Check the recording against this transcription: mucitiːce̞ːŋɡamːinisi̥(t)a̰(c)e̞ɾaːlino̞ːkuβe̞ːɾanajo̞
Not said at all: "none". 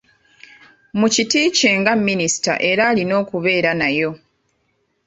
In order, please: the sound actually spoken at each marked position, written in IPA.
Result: t, ʔ

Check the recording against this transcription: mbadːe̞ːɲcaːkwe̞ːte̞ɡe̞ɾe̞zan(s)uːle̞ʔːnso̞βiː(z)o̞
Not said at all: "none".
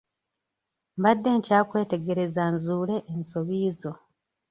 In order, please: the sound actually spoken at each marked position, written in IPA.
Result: z, z

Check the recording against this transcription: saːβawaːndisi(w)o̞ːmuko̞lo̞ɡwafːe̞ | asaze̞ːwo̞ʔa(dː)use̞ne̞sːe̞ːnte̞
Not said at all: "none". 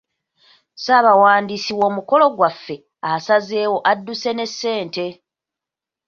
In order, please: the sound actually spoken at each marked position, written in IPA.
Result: w, dː

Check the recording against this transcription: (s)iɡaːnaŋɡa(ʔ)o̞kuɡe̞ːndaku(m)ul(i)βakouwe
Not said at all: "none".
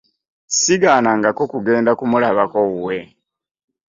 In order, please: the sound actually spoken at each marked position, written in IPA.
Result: s, k, m, a

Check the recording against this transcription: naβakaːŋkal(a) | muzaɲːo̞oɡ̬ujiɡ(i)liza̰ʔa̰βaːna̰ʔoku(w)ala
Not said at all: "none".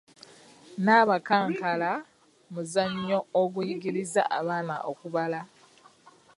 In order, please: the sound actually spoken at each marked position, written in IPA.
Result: a, i, β

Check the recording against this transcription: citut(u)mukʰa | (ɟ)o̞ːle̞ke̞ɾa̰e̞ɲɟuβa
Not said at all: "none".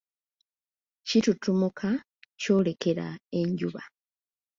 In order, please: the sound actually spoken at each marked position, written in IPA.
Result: u, c

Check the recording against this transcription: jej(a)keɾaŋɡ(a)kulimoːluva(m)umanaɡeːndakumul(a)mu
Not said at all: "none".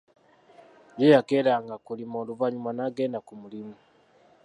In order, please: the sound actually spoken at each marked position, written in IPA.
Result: a, a, ɲ, i

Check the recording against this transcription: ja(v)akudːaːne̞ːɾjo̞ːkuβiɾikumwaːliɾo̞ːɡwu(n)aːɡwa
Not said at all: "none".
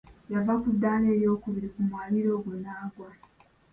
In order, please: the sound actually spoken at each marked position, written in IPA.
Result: v, n

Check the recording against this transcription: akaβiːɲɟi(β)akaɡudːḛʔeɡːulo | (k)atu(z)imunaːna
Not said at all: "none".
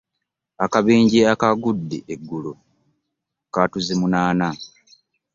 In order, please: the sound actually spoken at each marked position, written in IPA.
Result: none, k, z

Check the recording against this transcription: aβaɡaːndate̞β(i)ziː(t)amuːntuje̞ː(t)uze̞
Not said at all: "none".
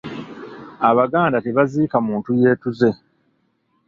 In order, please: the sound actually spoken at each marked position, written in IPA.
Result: a, k, t

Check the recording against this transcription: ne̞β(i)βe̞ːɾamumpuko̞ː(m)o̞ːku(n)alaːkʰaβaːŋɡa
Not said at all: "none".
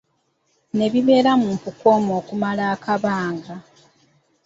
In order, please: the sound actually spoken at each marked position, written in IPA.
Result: i, m, m

